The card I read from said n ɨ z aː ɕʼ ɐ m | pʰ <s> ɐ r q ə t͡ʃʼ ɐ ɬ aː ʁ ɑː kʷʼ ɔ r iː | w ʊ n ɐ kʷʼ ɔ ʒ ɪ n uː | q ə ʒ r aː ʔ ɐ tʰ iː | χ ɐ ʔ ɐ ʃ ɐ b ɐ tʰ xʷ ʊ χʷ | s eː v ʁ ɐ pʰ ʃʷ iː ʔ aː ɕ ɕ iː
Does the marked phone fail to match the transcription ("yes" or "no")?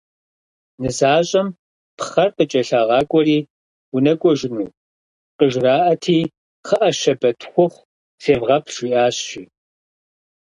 yes